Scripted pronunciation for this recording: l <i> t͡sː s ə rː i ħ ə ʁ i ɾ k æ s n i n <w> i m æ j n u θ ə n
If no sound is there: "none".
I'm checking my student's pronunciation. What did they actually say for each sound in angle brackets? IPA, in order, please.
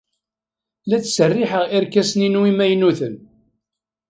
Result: æ, w

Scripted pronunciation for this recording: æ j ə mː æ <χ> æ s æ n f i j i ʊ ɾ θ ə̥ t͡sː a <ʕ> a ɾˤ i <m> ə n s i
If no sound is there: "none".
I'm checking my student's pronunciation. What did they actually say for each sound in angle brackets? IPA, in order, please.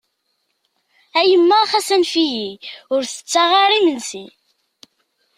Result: χ, ʁ, m

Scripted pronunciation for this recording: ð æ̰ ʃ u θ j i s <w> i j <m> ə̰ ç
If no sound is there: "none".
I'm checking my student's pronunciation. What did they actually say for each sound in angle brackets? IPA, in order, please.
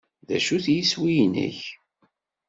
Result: w, n

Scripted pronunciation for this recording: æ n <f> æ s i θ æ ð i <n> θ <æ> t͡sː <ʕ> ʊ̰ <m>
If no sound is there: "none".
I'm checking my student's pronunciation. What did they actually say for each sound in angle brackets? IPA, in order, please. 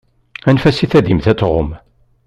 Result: f, m, æ, ʁ, m

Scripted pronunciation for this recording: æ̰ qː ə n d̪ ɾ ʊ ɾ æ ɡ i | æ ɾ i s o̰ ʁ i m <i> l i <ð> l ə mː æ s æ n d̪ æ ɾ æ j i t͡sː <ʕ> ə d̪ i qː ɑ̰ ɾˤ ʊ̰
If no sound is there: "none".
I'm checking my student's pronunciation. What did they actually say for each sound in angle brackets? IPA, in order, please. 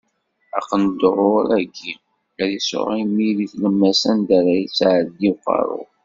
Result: i, θ, ʕ

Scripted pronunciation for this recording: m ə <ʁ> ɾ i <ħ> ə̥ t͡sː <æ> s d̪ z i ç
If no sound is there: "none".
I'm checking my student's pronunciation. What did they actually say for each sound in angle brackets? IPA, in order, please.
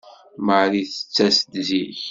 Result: ʕ, θ, æ

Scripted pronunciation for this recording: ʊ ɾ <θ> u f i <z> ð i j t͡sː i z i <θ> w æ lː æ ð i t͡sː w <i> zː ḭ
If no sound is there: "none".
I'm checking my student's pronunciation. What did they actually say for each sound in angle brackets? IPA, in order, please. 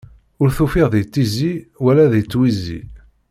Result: θ, ʁ, none, i

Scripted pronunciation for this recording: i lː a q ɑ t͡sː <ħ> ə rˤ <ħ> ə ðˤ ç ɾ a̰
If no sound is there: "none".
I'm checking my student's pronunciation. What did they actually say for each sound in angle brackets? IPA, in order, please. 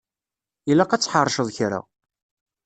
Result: ħ, ʃ

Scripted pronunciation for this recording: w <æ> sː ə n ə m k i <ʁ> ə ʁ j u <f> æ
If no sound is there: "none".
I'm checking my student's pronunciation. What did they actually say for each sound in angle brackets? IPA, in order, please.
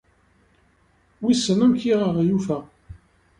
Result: i, ʁ, f

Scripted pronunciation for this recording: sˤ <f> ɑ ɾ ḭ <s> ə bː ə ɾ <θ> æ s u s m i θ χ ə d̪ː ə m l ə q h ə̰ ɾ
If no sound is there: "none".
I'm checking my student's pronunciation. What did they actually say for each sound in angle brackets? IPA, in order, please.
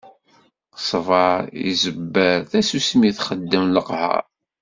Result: v, z, θ

